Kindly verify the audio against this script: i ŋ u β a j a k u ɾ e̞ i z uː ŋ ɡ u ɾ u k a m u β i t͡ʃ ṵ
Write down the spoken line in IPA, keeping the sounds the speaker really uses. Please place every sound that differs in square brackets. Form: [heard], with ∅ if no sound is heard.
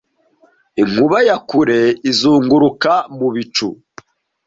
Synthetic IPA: i ŋ u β a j a k u ɾ e̞ i z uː ŋ ɡ u ɾ u k a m u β i t͡ʃ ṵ